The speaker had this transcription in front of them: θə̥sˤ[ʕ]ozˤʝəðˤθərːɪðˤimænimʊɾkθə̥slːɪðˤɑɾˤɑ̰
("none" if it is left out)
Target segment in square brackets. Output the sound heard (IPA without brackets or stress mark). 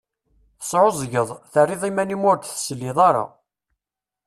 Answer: ʕ